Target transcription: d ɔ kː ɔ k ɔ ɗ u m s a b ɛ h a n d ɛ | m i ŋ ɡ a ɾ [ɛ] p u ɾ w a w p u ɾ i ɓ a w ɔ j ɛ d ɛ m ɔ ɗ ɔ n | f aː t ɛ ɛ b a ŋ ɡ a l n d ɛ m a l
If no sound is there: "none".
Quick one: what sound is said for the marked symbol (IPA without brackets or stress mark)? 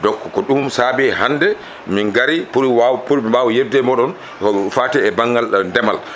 i